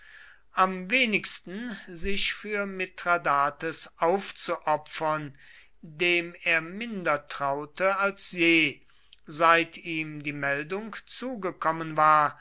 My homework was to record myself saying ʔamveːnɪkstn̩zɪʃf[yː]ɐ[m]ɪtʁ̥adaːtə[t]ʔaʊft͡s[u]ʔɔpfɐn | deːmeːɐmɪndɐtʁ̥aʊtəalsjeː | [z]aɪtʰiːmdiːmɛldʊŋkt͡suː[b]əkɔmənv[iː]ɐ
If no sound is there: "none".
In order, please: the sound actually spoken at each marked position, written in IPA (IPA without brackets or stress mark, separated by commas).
yː, m, s, u, z, ɡ, aː